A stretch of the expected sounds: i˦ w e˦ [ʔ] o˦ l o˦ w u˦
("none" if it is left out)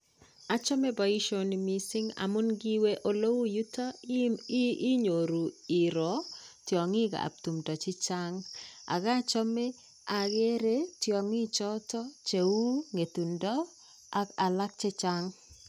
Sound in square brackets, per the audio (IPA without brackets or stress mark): ʔ